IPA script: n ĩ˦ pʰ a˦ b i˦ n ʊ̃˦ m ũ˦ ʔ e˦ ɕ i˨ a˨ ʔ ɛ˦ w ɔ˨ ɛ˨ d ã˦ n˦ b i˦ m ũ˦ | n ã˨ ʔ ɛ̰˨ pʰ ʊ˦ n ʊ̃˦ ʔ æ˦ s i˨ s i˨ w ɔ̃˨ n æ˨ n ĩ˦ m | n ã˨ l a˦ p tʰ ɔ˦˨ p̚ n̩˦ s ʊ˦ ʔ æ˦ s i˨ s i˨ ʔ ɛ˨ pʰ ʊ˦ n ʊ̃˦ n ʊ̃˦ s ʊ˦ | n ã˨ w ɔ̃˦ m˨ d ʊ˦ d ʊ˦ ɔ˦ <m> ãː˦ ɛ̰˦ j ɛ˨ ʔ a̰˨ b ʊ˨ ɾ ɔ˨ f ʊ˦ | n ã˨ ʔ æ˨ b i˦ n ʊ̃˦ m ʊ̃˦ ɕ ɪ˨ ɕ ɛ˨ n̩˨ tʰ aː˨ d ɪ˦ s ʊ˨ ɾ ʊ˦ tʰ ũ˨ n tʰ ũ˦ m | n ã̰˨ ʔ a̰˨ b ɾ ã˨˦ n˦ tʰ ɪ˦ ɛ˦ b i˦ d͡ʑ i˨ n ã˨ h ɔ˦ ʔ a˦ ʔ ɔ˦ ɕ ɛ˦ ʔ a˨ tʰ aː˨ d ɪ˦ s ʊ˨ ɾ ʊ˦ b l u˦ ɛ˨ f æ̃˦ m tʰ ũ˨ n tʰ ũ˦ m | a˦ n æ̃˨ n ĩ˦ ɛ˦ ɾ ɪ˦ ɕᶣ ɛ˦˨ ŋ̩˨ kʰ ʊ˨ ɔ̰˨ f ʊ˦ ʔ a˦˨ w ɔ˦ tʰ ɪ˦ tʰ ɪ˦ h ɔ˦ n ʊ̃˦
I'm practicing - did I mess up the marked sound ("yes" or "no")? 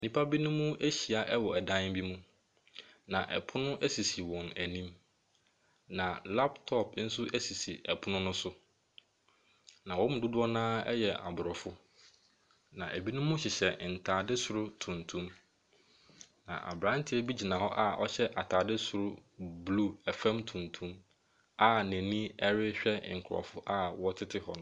yes